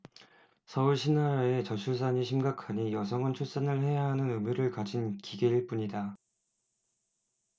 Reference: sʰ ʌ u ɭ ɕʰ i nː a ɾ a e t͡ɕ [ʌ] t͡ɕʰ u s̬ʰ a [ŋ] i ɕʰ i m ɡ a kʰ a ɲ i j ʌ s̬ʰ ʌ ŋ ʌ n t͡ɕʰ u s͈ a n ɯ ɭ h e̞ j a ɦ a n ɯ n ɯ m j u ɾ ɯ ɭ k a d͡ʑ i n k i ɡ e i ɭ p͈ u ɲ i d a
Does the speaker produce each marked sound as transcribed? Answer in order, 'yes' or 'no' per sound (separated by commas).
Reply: yes, no